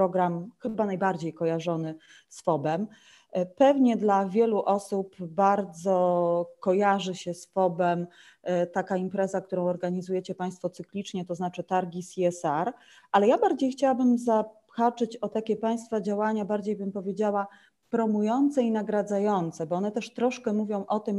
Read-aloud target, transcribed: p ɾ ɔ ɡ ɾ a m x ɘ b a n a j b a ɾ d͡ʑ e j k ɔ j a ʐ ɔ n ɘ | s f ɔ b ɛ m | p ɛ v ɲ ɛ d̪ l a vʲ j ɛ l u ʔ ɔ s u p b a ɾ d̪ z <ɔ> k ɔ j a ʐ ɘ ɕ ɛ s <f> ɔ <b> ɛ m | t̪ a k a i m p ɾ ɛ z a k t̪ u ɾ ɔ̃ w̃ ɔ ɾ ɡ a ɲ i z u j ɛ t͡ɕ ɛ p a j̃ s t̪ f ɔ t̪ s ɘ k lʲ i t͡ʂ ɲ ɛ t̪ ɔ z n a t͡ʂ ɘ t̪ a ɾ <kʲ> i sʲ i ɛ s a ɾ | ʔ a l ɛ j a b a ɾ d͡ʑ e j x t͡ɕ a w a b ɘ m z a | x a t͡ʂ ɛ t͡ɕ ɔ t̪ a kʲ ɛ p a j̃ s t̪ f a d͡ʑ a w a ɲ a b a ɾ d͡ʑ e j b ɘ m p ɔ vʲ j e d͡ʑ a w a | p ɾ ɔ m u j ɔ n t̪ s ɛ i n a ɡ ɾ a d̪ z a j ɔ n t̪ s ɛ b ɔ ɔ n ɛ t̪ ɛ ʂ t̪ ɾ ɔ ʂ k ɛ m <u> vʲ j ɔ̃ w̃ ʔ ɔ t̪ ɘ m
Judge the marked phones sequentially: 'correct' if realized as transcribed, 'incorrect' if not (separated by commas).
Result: correct, correct, correct, incorrect, correct